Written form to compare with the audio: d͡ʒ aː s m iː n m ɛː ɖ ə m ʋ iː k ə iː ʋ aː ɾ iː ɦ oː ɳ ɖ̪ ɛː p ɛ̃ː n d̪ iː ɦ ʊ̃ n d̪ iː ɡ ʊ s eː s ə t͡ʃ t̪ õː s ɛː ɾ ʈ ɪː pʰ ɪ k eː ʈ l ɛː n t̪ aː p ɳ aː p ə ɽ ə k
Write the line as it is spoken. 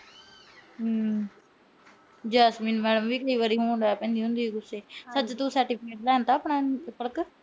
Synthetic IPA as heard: d͡ʒ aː s m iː n m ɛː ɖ ə m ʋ iː k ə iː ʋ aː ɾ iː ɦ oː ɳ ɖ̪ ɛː p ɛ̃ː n d̪ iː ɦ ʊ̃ n d̪ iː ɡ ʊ s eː s ə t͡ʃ t̪ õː s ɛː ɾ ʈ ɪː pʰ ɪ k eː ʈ l ɛː n t̪ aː p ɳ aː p ə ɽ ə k

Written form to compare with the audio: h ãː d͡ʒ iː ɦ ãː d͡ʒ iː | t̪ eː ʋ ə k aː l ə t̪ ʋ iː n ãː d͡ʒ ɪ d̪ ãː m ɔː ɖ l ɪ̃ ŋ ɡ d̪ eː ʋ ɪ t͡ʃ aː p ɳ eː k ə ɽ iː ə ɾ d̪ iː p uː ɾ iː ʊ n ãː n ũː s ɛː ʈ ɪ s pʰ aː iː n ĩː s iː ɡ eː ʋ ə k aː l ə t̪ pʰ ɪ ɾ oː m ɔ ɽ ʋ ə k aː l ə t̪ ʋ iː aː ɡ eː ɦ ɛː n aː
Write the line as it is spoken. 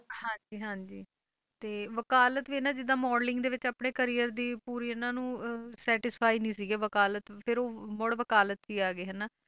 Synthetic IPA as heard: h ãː d͡ʒ iː ɦ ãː d͡ʒ iː | t̪ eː ʋ ə k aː l ə t̪ ʋ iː n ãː d͡ʒ ɪ d̪ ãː m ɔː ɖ l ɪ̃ ŋ ɡ d̪ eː ʋ ɪ t͡ʃ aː p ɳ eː k ə ɾ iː ə ɾ d̪ iː p uː ɾ iː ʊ n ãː n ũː s ɛː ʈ ɪ s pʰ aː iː n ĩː s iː ɡ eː ʋ ə k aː l ə t̪ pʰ ɪ ɾ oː m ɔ ɽ ʋ ə k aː l ə t̪ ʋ iː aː ɡ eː ɦ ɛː n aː

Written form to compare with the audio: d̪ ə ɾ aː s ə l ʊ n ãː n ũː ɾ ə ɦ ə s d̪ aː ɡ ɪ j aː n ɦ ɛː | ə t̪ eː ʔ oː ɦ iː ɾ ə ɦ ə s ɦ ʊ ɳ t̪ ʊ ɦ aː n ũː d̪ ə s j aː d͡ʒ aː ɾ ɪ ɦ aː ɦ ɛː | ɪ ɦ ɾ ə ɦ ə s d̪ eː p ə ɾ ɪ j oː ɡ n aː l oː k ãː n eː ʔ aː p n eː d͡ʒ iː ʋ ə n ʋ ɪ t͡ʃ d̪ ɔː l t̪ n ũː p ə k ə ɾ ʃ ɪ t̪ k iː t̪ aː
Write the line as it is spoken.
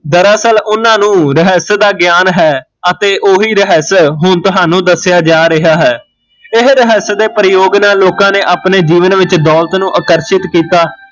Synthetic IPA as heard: d̪ ə ɾ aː s ə l ʊ n ãː n ũː ɾ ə ɦ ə s d̪ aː ɡ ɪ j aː n ɦ ɛː | ə t̪ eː ʔ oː ɦ iː ɾ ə ɦ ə s ɦ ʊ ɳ t̪ ʊ ɦ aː n ũː d̪ ə s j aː d͡ʒ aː ɾ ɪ ɦ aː ɦ ɛː | ɪ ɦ ɾ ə ɦ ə s d̪ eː p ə ɾ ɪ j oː ɡ n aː l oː k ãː n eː ʔ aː p n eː d͡ʒ iː ʋ ə n ʋ ɪ t͡ʃ d̪ ɔː l t̪ n ũː ʔ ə k ə ɾ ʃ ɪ t̪ k iː t̪ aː

